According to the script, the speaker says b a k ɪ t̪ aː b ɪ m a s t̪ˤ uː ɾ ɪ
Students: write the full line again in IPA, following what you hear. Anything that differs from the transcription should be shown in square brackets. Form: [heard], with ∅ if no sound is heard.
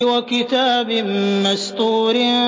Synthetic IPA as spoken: [w] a k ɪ t̪ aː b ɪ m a s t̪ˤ uː ɾ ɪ